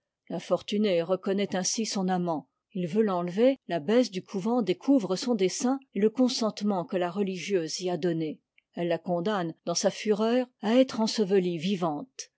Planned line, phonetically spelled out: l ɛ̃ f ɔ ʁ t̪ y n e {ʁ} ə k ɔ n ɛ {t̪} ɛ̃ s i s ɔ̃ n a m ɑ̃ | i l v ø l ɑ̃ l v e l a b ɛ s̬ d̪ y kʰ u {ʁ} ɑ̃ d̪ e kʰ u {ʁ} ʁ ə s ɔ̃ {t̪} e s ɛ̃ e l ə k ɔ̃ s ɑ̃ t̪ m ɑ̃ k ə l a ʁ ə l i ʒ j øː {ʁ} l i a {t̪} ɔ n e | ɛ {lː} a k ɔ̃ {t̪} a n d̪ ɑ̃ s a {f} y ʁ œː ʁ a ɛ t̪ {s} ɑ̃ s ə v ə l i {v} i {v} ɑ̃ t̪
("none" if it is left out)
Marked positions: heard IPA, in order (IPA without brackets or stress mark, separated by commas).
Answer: ʁ, t̪, v, v, d̪, z, d̪, lː, d̪, f, χ, v, v